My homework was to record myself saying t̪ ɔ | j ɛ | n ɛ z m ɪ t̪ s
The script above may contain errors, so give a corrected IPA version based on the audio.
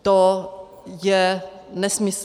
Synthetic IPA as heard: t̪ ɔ | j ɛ | n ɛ s m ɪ s